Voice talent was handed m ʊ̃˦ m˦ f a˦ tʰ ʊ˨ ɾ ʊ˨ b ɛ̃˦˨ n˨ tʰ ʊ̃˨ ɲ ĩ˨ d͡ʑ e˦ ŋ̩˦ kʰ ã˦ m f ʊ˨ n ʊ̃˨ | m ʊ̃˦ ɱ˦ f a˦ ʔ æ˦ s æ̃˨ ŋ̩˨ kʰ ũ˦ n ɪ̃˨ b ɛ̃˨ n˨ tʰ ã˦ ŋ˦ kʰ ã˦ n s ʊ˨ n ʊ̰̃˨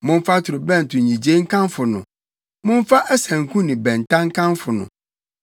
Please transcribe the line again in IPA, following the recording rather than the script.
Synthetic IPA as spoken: m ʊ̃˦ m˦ f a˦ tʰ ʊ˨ ɾ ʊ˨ b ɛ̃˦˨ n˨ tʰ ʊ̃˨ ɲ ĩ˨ d͡ʑ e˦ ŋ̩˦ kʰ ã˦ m f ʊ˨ n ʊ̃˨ | m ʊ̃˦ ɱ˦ f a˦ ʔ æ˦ s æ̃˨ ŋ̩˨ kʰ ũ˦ n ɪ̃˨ b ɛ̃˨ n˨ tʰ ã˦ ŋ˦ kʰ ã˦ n f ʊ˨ n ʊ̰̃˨

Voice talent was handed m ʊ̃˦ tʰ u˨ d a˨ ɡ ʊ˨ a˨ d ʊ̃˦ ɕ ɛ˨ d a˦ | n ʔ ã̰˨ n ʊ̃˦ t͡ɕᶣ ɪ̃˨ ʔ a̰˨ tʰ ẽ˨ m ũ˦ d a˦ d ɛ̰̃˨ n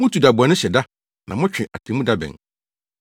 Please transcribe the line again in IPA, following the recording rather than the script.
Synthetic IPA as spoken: m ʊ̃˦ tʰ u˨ d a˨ b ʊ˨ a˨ n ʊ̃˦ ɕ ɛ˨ d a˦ | n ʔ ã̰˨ m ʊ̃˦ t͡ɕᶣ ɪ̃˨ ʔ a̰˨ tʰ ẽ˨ m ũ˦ d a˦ b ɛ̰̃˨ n

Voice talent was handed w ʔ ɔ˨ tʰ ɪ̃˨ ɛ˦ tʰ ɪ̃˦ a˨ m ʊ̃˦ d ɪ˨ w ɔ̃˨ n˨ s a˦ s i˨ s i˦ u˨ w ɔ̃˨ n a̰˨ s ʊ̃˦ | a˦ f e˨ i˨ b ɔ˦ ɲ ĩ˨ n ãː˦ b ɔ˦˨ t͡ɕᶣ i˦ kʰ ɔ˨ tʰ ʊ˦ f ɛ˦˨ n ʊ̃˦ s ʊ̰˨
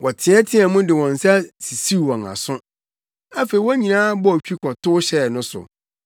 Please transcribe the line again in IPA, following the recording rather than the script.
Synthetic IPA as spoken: w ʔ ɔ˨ tʰ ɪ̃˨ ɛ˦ tʰ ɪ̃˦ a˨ m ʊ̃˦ d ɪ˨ w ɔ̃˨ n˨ s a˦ s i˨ s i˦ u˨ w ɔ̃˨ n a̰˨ s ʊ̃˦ | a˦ f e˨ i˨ w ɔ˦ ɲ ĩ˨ n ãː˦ b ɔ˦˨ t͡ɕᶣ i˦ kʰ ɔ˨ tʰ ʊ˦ ɕ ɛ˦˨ n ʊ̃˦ s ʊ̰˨

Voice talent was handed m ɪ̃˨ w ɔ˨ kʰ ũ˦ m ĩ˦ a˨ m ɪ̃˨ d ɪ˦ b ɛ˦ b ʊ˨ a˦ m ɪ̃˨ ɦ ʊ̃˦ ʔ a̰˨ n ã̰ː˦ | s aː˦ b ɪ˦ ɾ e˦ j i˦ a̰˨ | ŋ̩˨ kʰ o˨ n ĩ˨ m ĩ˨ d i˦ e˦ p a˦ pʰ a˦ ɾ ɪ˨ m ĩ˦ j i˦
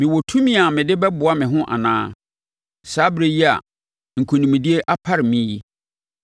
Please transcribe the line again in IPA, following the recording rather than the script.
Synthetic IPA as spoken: m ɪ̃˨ w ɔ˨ tʰ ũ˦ m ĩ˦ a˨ m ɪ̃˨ d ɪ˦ b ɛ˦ b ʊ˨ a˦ m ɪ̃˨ ɦ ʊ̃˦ ʔ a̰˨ n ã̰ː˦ | s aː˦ b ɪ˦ ɾ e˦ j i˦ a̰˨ | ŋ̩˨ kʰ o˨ n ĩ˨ m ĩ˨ d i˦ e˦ ʔ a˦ pʰ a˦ ɾ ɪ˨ m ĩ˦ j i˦

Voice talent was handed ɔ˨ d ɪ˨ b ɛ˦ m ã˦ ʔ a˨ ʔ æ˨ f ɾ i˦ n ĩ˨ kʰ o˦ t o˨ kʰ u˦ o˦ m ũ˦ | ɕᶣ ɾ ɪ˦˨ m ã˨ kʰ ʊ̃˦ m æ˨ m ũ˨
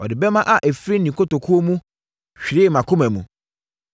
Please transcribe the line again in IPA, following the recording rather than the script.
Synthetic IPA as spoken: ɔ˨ d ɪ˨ b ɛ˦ m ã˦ ʔ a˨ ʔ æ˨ f ɾ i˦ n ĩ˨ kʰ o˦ t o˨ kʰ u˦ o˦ m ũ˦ | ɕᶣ ɾ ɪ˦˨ m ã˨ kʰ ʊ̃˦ m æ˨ m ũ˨

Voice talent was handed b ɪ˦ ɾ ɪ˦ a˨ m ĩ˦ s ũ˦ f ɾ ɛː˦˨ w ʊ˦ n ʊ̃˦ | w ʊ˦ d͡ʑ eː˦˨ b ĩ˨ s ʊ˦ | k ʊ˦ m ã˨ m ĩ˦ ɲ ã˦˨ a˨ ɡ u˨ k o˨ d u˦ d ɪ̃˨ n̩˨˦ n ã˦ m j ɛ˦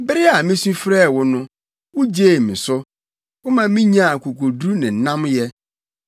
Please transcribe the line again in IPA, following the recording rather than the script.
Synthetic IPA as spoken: b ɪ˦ ɾ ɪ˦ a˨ m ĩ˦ s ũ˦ f ɾ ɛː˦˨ w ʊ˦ n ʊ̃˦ | w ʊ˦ d͡ʑ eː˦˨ m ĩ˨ s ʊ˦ | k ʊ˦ m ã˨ m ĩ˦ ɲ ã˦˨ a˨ k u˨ k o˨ d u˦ n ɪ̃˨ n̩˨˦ n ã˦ m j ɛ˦

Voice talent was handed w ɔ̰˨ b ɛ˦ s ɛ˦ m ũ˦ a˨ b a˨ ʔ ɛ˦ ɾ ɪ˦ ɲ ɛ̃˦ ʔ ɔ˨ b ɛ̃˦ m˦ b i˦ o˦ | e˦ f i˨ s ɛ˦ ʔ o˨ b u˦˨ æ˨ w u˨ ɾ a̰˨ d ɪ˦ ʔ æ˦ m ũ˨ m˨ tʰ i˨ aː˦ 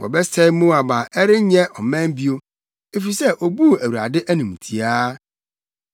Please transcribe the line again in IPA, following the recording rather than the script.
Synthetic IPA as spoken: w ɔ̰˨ b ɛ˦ s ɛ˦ m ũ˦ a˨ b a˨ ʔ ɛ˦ ɾ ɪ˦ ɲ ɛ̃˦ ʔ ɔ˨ m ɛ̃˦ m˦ b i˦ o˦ | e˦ f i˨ s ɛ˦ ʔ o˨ b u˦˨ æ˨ w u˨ ɾ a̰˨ d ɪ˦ ʔ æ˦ n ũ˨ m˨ tʰ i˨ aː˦

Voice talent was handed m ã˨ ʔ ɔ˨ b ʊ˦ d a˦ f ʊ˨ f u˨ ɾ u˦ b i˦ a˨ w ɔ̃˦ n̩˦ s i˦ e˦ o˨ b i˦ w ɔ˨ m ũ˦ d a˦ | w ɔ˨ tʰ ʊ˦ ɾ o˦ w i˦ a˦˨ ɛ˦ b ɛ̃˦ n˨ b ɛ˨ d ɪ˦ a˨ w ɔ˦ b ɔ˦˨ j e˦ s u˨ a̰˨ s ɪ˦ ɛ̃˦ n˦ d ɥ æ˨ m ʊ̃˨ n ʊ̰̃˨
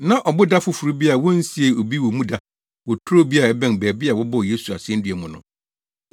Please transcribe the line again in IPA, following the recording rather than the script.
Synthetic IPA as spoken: n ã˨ ʔ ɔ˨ b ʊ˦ d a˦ f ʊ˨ f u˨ ɾ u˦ b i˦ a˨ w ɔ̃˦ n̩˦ s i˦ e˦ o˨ b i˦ w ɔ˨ m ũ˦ d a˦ | w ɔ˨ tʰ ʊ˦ ɾ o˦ b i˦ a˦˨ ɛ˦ b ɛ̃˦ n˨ b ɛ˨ b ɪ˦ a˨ w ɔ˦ b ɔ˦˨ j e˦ s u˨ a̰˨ s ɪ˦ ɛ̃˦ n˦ d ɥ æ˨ m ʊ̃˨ n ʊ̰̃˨

